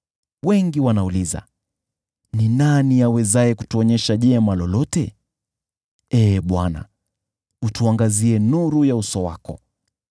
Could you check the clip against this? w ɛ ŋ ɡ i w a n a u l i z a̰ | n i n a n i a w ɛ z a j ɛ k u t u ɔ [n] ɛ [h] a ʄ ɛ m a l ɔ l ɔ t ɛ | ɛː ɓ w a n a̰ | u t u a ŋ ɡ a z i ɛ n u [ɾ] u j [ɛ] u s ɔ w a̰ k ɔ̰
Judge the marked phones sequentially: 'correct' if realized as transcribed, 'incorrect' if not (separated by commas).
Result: incorrect, incorrect, correct, incorrect